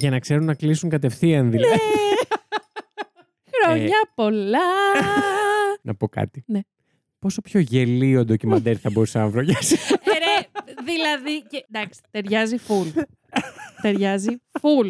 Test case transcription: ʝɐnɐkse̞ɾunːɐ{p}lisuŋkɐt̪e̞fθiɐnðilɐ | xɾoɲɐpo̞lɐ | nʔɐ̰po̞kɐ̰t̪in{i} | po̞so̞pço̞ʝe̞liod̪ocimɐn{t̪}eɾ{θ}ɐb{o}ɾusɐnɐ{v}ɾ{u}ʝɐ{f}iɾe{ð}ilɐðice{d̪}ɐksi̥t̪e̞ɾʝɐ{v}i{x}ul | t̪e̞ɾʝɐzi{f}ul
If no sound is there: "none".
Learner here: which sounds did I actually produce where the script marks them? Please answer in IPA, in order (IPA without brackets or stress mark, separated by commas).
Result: k, e, d̪, θ, o, v, o, s, ð, d̪, z, f, f